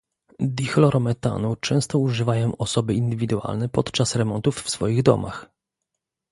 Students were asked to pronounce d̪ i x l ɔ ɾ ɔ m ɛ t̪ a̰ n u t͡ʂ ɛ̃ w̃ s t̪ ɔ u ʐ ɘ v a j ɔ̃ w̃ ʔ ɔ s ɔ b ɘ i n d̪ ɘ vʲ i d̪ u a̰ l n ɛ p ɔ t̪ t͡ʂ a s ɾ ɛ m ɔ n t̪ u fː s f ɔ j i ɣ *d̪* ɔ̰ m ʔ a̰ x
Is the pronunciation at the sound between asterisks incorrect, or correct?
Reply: correct